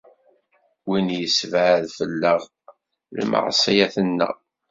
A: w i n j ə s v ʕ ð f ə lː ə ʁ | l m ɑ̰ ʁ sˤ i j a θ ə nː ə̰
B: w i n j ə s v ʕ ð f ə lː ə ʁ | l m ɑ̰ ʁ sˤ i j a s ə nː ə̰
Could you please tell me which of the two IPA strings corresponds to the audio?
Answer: A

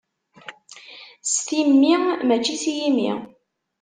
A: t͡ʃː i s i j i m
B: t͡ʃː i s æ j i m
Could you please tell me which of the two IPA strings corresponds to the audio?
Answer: A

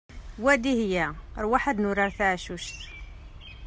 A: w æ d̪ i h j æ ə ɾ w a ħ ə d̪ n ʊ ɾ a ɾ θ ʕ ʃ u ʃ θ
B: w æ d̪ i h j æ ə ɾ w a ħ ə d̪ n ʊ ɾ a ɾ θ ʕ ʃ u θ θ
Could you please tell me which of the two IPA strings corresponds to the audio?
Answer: A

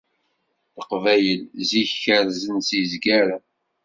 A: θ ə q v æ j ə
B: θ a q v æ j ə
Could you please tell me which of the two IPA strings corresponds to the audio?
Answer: A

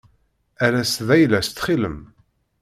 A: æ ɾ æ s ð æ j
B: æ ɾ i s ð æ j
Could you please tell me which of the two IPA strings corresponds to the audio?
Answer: A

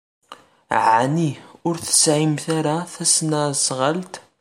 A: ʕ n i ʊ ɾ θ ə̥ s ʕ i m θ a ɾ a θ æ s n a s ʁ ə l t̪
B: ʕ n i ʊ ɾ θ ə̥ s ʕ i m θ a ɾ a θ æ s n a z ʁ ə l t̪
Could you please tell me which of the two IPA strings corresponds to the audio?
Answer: A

